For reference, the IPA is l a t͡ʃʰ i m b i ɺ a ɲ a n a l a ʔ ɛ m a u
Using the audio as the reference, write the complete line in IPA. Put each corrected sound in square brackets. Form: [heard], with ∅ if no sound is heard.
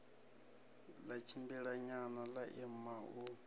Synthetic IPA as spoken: l a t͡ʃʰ i m b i ɺ a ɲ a n a l a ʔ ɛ m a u